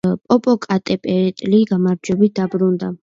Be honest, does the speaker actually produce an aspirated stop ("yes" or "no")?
no